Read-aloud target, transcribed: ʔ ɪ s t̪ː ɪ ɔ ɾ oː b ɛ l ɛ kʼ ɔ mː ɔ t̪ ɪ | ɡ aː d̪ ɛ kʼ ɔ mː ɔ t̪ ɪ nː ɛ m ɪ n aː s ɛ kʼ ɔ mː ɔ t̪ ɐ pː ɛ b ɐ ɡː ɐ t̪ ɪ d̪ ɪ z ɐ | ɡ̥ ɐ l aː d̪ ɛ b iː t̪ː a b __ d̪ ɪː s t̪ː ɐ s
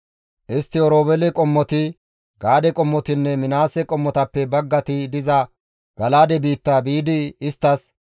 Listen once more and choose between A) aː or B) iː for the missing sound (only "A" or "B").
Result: B